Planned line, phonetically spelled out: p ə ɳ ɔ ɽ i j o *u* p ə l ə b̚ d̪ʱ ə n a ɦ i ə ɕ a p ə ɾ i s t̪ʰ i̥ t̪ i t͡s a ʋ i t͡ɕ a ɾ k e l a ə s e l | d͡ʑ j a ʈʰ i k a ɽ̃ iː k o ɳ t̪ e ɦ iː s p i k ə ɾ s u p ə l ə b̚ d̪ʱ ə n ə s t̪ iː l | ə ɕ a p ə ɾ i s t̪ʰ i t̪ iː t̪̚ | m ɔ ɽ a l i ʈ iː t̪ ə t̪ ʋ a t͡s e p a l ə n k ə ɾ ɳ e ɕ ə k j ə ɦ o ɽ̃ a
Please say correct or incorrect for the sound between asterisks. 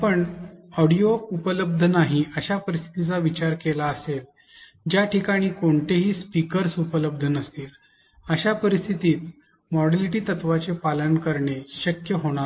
correct